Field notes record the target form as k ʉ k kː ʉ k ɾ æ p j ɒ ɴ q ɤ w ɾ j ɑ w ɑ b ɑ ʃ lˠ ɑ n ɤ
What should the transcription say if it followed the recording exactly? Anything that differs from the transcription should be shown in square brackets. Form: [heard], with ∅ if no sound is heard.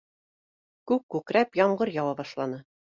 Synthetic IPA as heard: k ʉ k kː ʉ k ɾ æ p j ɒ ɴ [ɢ] ɤ [∅] ɾ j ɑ w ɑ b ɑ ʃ lˠ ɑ n ɤ